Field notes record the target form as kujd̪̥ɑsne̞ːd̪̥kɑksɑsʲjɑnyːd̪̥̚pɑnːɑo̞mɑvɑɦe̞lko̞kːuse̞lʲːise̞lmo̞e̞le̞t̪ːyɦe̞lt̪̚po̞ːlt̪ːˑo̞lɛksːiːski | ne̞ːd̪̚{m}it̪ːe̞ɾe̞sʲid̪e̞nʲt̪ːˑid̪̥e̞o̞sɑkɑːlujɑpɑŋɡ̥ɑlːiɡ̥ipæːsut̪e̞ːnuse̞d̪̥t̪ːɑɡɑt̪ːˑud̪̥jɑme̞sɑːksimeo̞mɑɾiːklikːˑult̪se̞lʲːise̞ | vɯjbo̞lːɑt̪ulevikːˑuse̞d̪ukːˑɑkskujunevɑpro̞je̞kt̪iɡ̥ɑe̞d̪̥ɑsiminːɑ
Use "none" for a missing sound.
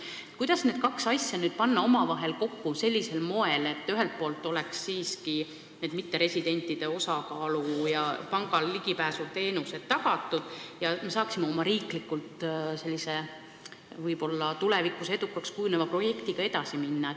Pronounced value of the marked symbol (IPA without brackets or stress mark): m